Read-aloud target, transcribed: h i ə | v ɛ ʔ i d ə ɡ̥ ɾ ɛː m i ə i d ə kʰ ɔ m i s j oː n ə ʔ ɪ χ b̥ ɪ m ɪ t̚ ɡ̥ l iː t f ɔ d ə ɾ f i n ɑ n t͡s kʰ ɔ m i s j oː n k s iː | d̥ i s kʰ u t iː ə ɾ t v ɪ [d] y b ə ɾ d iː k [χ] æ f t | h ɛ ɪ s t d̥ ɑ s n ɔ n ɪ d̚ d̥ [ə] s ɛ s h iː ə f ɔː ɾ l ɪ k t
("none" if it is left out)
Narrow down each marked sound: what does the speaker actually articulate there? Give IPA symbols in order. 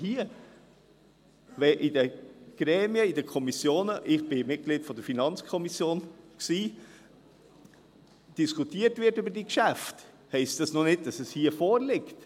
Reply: t, ʃ, ɑ

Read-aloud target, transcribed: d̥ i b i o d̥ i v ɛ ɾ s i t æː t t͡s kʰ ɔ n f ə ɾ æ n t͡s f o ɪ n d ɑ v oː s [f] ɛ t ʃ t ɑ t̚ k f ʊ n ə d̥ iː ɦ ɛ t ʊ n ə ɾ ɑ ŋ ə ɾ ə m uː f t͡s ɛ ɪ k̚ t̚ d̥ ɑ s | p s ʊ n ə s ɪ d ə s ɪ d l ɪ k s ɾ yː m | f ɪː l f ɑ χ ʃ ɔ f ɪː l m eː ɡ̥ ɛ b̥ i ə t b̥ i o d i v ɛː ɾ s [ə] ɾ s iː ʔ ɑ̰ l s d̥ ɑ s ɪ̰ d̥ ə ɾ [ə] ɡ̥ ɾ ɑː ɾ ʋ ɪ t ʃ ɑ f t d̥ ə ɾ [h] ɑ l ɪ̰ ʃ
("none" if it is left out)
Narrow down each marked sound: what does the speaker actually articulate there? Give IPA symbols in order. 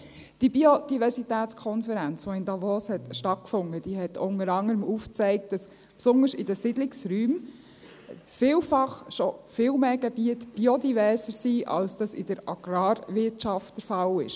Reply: h, ə, ɑ, f

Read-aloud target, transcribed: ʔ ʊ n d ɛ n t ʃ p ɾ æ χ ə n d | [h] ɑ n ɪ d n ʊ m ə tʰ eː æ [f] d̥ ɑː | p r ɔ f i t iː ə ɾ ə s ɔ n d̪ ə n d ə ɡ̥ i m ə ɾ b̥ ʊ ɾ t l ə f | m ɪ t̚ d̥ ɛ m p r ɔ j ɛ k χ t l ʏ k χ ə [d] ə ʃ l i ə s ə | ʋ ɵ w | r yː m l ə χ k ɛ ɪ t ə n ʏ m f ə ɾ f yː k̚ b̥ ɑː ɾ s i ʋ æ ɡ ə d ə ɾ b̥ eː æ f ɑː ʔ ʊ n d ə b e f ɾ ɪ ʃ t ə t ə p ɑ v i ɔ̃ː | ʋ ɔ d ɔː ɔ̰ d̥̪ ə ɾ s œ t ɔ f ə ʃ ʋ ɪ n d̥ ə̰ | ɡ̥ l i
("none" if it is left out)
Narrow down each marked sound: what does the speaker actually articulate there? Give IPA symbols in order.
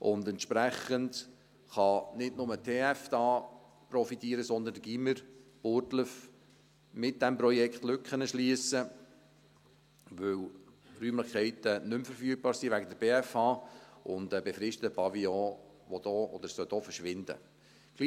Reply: χ, f, n

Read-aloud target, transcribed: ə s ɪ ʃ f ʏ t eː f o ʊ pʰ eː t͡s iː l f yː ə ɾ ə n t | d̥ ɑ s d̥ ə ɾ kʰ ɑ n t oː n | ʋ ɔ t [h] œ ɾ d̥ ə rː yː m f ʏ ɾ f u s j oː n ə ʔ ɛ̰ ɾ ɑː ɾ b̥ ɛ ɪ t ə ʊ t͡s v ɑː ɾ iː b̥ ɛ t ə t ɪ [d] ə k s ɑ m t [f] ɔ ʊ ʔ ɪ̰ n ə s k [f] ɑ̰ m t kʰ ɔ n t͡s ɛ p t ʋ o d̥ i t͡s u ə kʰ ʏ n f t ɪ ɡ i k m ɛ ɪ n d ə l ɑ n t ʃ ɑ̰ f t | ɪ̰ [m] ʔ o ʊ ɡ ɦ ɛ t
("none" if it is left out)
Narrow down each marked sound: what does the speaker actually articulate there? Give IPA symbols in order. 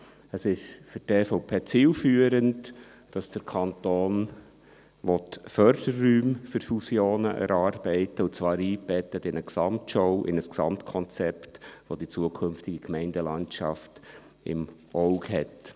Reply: f, n, ʃ, s, m

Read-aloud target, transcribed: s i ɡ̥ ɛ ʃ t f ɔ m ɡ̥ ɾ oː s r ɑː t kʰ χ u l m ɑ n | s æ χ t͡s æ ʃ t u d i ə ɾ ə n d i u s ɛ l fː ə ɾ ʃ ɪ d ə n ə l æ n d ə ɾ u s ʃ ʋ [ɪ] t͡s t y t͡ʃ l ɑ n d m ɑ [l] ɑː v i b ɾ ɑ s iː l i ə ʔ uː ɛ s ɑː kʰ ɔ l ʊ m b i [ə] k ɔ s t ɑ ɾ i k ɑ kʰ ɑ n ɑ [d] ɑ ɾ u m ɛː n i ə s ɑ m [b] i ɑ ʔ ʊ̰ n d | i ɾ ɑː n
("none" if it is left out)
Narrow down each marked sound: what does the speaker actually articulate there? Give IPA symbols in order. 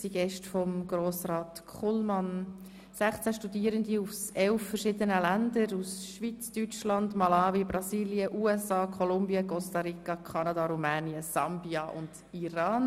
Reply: i, l, ə, d, b

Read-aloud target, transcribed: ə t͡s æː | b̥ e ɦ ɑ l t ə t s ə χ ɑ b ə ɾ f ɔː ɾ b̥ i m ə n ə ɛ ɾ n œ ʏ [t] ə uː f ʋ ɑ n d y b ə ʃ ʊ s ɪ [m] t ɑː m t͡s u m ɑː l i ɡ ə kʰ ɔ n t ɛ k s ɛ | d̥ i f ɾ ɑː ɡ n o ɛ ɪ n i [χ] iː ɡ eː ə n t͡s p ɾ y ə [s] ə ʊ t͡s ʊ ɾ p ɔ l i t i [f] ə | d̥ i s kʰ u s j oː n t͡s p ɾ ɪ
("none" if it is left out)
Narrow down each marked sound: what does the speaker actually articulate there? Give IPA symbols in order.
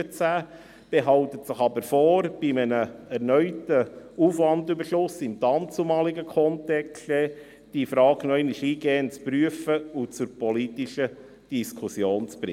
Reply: t, m, ʃ, f, ʃ

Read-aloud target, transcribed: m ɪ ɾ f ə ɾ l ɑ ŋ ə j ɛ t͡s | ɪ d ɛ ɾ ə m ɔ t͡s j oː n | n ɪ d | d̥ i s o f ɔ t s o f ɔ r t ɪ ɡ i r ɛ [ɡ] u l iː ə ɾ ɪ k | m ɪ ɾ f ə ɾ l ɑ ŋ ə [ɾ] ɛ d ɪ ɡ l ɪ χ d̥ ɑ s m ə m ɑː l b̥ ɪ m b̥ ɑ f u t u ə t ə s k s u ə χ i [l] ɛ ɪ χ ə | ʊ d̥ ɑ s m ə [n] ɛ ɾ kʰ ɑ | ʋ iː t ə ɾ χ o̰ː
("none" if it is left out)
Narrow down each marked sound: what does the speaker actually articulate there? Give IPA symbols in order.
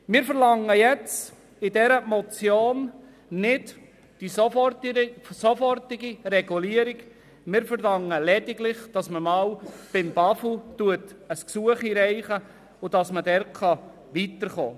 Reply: ɡ, l, ɾ, d

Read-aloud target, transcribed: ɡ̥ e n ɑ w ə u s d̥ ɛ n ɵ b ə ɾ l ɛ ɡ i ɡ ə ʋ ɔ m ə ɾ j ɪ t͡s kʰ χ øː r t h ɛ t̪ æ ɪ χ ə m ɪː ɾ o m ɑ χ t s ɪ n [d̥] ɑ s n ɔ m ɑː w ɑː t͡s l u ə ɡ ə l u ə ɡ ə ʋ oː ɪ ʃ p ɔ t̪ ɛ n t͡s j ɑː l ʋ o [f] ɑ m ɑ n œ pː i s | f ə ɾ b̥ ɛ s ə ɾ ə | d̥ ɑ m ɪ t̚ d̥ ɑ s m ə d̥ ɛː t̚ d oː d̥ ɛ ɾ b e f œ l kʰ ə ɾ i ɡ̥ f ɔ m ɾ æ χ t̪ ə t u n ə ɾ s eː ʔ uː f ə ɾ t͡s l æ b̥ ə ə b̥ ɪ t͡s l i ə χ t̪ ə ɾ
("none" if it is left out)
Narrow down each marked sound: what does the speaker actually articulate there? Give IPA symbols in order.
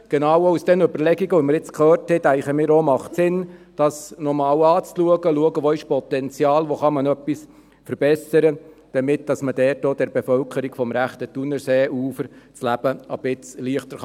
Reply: d̥, χ

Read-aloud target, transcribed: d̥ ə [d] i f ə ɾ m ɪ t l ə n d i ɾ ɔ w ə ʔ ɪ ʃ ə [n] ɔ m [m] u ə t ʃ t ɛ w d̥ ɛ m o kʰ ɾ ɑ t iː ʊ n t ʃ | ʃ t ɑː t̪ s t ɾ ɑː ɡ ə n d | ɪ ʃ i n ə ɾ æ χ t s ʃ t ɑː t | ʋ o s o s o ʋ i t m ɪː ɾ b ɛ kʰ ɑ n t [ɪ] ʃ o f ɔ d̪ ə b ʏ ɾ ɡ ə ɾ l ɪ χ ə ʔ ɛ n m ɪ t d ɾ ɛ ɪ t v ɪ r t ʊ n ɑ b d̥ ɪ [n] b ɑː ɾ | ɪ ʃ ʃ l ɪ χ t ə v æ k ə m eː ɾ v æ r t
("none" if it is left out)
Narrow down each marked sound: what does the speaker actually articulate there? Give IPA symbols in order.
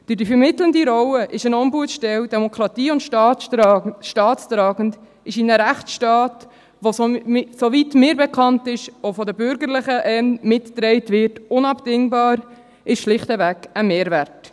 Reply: d, n, b, ɪ, ŋ

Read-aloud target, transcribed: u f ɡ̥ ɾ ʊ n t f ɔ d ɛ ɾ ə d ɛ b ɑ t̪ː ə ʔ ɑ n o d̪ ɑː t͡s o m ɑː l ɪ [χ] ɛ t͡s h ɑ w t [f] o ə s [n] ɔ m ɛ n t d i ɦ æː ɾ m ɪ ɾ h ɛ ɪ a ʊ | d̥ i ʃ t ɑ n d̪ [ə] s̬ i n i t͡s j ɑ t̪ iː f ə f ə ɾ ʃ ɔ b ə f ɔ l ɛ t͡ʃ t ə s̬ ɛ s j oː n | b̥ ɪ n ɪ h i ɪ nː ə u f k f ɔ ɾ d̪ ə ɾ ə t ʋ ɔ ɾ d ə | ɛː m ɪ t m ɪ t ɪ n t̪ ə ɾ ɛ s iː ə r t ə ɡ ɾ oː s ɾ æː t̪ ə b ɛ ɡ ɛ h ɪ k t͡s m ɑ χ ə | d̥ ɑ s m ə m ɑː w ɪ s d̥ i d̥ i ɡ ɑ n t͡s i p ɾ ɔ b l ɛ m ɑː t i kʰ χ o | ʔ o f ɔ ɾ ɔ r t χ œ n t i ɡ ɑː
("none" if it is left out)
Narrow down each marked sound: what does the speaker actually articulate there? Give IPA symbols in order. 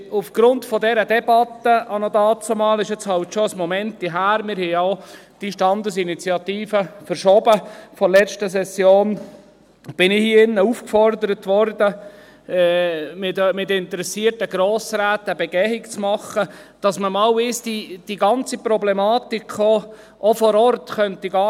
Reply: ʃ, ʃ, m, ə

